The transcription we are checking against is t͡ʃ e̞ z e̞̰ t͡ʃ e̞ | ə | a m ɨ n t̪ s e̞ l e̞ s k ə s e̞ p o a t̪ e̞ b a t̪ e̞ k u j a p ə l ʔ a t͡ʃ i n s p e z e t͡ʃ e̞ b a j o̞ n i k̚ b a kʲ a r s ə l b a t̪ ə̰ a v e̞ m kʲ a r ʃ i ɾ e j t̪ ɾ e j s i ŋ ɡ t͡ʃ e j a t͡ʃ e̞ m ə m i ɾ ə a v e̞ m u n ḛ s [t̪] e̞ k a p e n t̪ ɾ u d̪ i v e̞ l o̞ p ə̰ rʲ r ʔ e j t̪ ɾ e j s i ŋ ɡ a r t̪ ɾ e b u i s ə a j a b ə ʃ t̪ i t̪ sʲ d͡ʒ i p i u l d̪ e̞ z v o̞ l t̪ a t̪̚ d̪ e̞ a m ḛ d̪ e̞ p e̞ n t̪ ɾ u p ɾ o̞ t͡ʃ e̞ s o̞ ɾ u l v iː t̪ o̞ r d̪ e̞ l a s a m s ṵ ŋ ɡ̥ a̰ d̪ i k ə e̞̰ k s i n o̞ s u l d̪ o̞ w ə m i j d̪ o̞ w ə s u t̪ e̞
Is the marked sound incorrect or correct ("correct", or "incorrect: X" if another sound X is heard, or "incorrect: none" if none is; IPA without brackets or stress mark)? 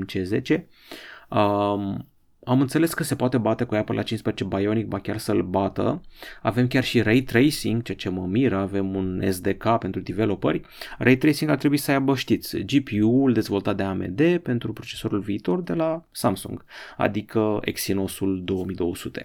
incorrect: d̪